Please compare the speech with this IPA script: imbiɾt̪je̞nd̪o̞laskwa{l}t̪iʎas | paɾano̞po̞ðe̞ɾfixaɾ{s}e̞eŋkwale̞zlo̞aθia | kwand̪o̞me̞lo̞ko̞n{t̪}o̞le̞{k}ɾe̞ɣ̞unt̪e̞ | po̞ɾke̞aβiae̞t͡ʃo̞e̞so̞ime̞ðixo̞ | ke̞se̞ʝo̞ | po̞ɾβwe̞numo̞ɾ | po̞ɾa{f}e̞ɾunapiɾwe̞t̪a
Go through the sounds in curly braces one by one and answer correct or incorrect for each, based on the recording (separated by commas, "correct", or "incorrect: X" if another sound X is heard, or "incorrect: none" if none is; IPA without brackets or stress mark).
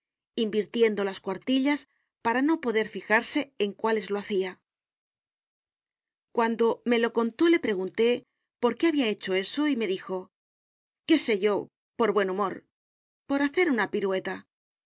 incorrect: ɾ, correct, correct, incorrect: p, incorrect: θ